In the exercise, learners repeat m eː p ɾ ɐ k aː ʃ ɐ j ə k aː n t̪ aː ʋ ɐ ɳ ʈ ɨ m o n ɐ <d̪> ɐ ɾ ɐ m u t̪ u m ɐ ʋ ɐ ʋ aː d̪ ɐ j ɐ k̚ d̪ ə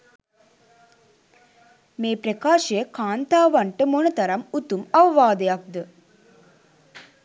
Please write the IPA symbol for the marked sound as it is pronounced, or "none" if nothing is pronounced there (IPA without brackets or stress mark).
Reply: t̪